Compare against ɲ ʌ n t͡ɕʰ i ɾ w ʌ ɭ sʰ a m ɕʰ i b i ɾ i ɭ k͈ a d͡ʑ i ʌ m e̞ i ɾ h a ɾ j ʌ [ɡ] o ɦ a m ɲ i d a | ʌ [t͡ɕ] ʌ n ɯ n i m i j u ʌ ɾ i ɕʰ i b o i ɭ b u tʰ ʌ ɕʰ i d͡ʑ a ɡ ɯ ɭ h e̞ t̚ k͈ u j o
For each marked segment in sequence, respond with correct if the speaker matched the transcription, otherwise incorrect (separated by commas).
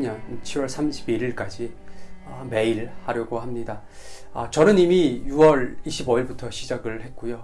correct, correct